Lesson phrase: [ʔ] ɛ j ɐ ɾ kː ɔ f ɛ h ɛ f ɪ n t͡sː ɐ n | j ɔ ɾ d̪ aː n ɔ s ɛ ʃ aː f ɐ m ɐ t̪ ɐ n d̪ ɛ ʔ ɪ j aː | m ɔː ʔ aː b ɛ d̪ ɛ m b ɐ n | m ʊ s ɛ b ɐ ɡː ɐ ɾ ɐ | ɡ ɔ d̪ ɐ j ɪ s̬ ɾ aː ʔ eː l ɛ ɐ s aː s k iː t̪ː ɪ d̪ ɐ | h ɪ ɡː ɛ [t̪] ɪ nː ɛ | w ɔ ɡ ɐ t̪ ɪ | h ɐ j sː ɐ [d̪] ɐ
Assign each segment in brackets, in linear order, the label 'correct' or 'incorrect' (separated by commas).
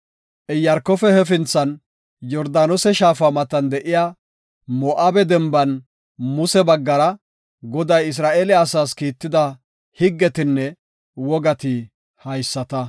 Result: correct, correct, incorrect